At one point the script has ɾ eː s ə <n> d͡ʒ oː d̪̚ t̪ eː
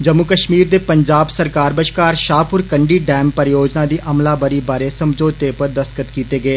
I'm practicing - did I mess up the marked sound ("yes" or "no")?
yes